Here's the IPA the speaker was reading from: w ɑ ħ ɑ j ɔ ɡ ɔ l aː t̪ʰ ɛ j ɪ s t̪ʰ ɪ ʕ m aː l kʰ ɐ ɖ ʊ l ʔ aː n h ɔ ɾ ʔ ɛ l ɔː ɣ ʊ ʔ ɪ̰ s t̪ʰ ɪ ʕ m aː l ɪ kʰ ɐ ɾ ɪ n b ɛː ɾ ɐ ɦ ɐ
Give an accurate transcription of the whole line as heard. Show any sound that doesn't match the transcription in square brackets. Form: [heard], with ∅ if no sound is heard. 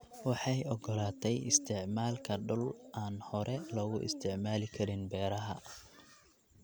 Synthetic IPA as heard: w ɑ ħ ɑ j ɔ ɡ ɔ l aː t̪ʰ ɛ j ɪ s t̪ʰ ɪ ʕ m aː l kʰ ɐ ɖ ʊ l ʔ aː n h ɔ ɾ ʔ ɛ l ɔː ɣ ʊ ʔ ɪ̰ s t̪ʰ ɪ ʕ m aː l ɪ kʰ ɐ ɾ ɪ n b ɛː ɾ ɐ ɦ ɐ